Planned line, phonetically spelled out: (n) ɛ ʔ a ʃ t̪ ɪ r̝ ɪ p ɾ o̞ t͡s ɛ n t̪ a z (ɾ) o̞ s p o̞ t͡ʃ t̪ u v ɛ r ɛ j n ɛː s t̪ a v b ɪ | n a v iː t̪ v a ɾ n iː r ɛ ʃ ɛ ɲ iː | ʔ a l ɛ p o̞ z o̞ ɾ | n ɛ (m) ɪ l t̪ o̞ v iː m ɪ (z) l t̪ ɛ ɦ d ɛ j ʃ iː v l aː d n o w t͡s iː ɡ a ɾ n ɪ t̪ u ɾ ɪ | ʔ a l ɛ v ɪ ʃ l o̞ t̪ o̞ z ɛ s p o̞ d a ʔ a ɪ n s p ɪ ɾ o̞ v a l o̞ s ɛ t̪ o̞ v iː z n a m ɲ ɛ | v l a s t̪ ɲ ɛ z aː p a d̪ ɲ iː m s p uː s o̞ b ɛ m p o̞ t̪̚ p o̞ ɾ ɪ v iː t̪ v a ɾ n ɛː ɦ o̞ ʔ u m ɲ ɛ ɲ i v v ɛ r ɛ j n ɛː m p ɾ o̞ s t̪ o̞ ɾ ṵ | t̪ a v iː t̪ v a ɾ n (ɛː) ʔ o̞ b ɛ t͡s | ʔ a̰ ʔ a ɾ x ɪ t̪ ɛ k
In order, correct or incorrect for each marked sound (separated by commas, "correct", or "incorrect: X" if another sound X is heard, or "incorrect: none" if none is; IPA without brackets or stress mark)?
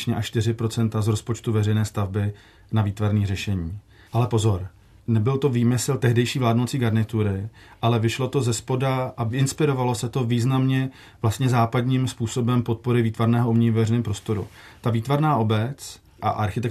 incorrect: ɲ, correct, incorrect: b, incorrect: s, incorrect: aː